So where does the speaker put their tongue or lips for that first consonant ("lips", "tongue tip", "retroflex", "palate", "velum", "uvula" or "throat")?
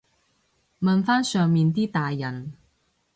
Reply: lips